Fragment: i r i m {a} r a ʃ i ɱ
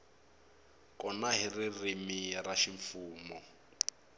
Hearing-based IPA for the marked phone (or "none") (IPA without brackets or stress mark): i